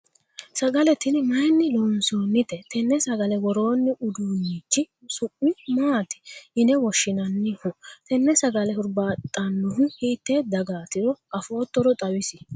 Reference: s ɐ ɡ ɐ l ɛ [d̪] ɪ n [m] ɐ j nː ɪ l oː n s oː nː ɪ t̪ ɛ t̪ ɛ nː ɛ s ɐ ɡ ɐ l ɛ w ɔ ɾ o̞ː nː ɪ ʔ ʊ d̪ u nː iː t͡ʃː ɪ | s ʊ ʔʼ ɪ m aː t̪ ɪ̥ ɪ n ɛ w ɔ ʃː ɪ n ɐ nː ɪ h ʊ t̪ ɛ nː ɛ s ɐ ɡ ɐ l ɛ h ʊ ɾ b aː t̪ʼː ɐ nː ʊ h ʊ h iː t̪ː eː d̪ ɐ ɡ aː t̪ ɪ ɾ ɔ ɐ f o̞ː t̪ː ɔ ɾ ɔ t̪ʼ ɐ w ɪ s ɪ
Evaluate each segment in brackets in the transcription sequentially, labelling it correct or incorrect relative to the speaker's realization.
incorrect, correct

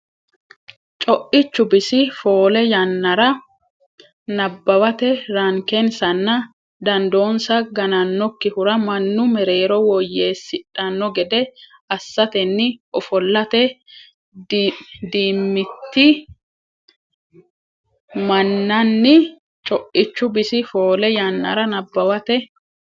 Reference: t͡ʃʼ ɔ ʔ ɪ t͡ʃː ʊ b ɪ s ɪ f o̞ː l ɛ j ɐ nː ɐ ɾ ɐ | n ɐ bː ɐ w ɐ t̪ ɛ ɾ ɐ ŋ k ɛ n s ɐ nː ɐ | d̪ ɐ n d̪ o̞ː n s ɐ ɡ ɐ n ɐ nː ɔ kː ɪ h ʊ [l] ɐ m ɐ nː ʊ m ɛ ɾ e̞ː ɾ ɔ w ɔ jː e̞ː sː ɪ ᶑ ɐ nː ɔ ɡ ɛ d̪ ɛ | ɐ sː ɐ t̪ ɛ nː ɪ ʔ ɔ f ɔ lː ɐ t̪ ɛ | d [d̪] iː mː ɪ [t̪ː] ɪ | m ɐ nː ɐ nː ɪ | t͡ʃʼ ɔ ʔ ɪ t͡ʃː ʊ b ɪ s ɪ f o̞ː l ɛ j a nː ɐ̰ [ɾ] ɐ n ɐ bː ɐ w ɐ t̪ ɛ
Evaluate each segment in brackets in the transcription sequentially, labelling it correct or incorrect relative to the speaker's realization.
incorrect, correct, correct, correct

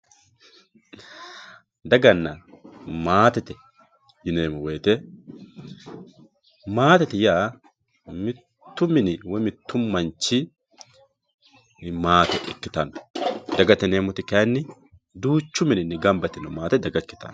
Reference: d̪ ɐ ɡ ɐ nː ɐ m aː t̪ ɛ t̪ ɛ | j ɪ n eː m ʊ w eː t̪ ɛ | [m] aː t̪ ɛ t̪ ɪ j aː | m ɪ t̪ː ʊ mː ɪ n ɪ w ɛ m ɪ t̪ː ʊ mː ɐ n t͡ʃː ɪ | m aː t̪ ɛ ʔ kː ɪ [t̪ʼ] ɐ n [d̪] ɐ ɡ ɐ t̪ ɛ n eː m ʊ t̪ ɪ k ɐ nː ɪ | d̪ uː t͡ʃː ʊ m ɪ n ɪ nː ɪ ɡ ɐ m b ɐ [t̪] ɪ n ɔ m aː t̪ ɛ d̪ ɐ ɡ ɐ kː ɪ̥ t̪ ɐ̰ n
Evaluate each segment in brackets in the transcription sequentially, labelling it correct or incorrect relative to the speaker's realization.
correct, incorrect, correct, correct

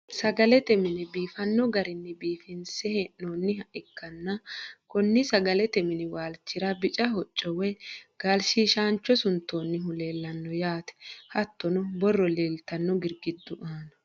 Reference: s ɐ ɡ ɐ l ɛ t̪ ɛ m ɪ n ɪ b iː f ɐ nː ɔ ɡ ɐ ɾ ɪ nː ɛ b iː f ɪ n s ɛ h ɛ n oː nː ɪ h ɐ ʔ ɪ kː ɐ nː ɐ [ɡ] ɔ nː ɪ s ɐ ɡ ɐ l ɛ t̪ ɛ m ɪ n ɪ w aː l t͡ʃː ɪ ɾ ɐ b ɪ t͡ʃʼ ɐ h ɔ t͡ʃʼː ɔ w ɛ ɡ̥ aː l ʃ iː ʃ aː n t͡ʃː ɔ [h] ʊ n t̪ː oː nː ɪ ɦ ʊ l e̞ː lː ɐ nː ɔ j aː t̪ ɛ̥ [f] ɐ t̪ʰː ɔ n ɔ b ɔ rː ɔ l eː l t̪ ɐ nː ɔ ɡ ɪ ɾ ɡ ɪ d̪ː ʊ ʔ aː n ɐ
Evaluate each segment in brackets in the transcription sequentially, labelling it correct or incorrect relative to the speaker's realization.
incorrect, incorrect, incorrect

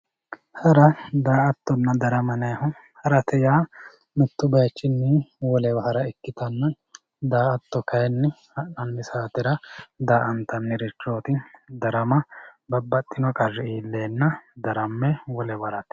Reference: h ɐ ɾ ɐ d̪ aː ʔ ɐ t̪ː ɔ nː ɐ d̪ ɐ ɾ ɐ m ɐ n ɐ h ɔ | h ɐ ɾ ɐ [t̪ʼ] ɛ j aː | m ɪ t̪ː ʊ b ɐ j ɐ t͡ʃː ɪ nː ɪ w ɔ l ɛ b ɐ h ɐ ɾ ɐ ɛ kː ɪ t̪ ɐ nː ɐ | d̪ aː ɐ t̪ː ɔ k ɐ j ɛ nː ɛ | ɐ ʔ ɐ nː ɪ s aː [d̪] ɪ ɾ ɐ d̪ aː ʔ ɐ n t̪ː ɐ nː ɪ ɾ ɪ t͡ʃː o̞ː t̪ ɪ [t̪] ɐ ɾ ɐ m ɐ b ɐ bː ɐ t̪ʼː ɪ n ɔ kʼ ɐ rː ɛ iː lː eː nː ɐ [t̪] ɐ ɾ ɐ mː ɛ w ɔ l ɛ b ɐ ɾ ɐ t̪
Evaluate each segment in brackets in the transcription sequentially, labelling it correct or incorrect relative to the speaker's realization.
incorrect, incorrect, incorrect, incorrect

